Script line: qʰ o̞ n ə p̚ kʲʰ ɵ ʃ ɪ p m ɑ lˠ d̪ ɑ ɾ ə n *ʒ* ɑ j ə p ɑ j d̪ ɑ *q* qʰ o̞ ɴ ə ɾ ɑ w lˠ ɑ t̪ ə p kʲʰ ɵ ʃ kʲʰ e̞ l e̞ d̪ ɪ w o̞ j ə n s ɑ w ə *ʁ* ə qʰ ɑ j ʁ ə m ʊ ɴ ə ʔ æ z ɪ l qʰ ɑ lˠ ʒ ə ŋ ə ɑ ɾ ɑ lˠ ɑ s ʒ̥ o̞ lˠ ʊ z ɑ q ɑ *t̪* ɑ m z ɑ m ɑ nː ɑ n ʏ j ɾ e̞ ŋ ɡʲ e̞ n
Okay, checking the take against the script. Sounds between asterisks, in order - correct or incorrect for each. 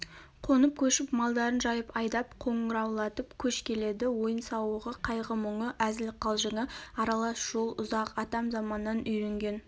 correct, incorrect: p, correct, correct

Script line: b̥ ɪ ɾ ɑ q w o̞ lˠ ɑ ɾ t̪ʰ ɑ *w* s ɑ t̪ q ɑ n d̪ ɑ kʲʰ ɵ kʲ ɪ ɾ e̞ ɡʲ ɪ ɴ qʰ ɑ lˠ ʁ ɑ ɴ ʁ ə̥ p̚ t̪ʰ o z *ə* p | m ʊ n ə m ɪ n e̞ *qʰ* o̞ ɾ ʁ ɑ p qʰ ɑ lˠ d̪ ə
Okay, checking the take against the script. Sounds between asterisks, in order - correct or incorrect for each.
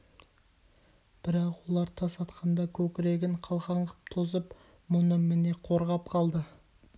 incorrect: none, correct, correct

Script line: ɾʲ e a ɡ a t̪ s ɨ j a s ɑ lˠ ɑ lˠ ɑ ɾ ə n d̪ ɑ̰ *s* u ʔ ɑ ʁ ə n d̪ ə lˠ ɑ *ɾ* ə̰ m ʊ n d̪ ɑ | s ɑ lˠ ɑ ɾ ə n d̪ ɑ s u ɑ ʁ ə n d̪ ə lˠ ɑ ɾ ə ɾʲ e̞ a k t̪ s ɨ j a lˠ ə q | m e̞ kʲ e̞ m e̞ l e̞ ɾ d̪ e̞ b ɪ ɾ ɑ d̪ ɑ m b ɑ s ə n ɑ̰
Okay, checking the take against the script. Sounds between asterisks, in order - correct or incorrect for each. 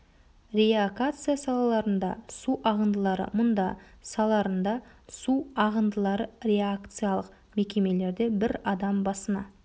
correct, correct

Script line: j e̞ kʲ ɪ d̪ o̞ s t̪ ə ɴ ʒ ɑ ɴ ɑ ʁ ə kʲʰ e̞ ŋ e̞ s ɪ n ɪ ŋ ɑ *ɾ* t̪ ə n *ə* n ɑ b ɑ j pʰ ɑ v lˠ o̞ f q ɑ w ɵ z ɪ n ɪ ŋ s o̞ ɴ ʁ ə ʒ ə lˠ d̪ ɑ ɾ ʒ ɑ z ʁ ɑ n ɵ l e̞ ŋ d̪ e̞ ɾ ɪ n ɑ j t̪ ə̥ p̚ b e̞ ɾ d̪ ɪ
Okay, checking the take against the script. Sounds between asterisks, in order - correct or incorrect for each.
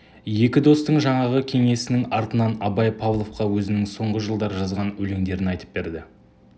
correct, incorrect: ɑ

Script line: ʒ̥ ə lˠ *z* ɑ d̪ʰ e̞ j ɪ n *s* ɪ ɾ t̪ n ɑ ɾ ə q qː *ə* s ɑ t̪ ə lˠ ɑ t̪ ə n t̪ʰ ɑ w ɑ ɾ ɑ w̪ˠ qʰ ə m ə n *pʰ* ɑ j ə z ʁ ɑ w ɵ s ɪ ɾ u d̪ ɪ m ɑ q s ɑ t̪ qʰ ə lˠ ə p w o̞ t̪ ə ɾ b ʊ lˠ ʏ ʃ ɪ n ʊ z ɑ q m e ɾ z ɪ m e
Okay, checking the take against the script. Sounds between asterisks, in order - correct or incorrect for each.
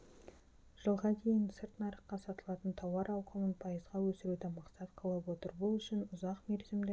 incorrect: ʁ, correct, incorrect: ɑ, correct

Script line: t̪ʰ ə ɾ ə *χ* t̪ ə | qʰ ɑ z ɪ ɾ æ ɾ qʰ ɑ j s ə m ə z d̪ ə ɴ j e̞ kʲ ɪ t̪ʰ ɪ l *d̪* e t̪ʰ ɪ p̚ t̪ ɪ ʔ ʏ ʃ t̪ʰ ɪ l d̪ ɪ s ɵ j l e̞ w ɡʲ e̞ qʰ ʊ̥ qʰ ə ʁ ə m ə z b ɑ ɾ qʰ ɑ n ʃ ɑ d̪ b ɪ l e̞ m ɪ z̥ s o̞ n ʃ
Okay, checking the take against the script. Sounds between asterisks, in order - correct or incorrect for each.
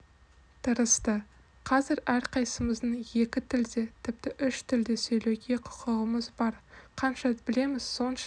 incorrect: s, correct

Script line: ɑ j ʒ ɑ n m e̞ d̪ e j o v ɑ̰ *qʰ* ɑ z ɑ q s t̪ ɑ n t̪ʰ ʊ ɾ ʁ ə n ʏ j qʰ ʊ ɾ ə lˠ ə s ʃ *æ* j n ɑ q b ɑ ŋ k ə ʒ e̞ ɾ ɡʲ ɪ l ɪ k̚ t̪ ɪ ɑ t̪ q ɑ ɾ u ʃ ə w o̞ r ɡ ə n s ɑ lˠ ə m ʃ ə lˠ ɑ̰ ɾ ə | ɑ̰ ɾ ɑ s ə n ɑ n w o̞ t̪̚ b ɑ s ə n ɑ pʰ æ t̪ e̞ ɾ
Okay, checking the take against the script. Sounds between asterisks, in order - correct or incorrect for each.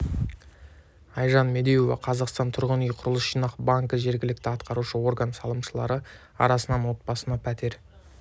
correct, incorrect: i

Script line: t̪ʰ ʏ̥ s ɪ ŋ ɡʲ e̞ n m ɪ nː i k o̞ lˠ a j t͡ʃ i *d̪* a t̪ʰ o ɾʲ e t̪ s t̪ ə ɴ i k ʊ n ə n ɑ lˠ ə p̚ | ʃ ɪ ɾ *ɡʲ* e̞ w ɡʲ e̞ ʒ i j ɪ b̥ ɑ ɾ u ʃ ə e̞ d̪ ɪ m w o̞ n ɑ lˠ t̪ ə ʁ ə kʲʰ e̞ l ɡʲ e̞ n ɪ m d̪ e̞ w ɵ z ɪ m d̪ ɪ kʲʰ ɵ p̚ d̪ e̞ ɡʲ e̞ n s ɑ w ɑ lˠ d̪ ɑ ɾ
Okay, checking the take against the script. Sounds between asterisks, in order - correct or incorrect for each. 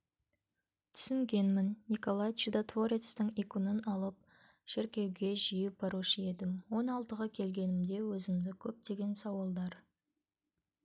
correct, incorrect: kʲ

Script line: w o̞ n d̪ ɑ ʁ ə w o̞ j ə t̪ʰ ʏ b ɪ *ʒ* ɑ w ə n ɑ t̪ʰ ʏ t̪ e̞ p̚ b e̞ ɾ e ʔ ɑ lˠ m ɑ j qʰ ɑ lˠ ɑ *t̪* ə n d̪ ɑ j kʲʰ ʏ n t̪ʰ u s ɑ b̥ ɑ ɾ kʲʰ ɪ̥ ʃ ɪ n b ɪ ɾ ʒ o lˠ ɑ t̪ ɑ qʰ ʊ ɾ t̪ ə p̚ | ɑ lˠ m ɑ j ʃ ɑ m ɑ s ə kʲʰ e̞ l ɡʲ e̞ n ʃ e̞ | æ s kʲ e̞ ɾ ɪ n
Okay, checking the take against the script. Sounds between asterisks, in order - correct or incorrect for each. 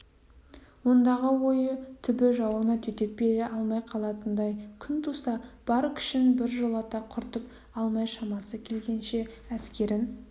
correct, correct

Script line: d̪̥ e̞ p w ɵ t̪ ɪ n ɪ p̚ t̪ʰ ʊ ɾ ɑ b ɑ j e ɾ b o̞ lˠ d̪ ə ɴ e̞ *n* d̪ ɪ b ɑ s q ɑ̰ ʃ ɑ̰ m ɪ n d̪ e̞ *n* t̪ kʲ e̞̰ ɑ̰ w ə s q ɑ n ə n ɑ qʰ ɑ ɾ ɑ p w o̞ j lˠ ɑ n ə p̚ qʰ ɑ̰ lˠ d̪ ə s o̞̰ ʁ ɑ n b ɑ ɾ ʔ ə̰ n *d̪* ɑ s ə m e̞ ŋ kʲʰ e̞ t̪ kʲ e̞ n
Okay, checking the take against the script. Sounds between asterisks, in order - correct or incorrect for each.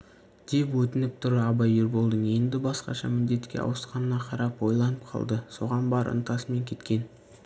correct, incorrect: none, incorrect: t̪

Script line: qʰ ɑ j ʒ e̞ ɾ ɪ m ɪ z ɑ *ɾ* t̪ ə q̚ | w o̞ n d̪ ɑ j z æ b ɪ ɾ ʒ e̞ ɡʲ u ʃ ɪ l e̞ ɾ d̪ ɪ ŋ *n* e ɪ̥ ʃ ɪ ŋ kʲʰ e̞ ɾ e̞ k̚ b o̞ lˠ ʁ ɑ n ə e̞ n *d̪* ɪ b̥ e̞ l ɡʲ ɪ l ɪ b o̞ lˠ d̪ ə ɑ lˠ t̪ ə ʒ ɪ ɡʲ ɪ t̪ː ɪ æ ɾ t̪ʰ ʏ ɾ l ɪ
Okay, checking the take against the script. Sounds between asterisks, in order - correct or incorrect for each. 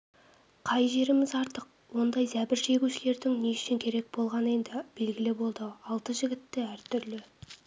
correct, correct, correct

